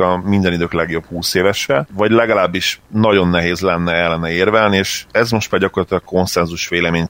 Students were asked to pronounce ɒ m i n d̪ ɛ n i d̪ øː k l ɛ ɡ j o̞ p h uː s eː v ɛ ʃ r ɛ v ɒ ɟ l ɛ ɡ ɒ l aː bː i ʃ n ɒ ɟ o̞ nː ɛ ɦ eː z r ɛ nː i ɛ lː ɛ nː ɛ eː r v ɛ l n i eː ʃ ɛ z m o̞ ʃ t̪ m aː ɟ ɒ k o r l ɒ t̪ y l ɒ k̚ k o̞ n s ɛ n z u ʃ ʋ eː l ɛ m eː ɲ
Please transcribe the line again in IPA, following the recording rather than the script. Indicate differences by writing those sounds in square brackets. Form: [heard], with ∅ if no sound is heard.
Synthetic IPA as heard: ɒ m i n d̪ ɛ n i d̪ øː k l ɛ ɡ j o̞ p h uː s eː v ɛ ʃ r ɛ v ɒ ɟ l ɛ ɡ ɒ l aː bː i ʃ n ɒ ɟ o̞ nː ɛ ɦ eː z [l] ɛ nː [ɛ] ɛ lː ɛ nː ɛ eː r v ɛ l n i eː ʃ ɛ z m o̞ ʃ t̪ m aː ɟ ɒ k o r l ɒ t̪ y l ɒ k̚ k o̞ n s ɛ n z u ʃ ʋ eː l ɛ m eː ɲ